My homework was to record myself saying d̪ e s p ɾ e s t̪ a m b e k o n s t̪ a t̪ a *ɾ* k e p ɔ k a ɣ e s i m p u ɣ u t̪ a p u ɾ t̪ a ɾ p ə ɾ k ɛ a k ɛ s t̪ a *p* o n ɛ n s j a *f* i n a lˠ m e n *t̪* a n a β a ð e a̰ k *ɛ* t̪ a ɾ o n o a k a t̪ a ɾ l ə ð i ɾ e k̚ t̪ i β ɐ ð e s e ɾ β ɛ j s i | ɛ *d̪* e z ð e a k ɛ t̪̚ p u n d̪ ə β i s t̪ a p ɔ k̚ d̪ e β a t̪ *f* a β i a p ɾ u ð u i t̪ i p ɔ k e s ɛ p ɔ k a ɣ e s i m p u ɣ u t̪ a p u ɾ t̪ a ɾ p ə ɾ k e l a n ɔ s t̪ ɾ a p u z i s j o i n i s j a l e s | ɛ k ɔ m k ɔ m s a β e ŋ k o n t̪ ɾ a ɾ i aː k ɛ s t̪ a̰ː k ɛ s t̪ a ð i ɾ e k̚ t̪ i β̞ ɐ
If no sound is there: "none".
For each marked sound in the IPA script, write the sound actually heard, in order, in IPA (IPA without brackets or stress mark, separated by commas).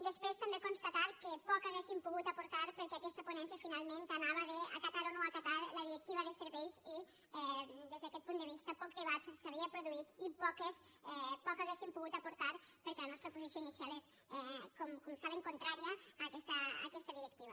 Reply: ɾ, p, f, t̪, a, d̪, s